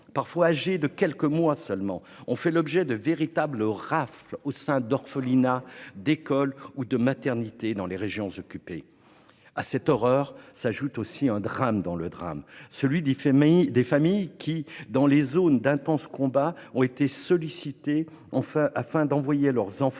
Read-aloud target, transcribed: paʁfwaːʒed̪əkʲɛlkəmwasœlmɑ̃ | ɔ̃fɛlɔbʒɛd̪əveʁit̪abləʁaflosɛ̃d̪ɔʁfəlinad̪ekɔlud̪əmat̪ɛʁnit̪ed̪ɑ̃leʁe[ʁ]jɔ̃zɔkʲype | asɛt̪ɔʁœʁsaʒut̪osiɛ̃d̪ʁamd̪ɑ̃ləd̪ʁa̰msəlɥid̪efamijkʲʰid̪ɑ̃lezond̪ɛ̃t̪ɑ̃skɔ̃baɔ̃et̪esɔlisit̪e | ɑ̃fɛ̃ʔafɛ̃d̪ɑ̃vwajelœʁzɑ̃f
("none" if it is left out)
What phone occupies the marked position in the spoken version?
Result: ʒ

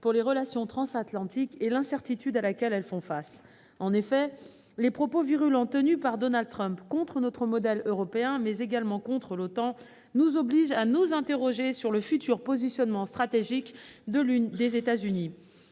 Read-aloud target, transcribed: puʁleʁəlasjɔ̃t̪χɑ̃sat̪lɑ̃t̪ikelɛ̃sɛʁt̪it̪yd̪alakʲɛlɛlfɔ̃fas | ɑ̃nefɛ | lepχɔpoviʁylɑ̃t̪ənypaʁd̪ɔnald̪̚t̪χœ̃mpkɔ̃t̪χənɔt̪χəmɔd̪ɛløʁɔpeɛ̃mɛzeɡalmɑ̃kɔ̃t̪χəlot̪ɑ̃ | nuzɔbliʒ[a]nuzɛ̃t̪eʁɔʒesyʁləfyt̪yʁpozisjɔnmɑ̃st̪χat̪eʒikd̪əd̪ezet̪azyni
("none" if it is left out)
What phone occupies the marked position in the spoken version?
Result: a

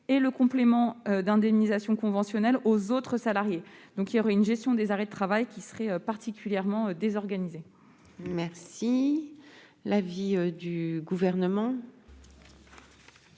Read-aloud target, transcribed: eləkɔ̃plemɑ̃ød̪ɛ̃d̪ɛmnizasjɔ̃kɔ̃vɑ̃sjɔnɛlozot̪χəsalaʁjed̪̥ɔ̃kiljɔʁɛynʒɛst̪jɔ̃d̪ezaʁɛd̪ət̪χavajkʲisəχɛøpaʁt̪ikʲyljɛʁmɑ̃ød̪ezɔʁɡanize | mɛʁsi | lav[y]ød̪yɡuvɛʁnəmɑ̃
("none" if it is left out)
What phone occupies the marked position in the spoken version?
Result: i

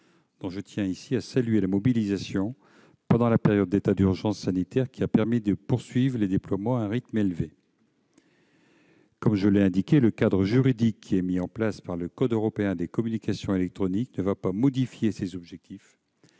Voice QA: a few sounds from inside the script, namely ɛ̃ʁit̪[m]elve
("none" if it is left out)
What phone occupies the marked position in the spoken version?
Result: m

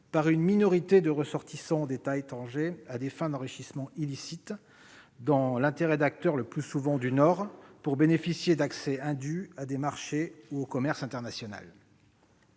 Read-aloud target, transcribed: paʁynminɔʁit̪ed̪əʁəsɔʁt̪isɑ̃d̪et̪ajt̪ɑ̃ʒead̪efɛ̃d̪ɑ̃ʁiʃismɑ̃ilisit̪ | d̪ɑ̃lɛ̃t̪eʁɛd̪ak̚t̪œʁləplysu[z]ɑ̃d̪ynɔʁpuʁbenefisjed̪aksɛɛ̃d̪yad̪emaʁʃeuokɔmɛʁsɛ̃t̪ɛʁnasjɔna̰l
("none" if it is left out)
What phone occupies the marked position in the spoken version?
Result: v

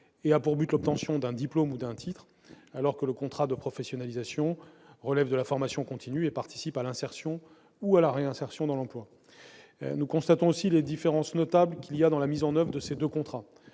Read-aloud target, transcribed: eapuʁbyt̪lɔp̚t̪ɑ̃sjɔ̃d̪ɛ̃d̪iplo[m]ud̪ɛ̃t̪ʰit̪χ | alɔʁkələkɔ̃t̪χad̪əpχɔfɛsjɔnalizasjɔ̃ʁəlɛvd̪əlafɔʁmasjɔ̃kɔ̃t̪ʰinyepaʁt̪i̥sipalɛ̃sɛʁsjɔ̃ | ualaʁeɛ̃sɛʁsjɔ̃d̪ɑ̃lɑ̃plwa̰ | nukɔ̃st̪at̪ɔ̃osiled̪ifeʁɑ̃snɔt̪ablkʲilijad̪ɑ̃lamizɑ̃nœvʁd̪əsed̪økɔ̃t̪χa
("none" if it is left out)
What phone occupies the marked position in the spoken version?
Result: m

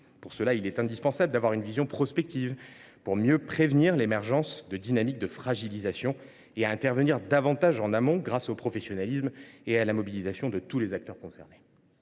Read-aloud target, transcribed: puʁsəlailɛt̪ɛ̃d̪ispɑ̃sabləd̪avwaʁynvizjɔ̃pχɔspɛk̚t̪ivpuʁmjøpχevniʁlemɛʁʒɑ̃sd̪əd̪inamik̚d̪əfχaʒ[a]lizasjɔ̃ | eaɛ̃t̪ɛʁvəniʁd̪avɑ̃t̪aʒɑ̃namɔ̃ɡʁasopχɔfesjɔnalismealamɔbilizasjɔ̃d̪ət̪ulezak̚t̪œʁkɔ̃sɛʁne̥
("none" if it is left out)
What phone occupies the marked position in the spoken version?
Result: i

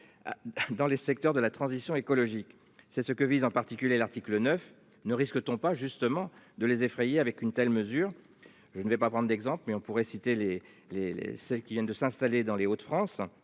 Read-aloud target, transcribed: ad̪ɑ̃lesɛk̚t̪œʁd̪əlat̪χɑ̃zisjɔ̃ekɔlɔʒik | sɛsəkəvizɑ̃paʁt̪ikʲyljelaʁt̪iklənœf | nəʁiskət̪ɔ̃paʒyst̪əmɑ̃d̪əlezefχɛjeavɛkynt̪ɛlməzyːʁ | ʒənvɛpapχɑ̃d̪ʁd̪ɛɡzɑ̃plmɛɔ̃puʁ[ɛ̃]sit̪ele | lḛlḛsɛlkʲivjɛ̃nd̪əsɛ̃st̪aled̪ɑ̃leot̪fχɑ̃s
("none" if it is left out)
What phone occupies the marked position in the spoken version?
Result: ɛ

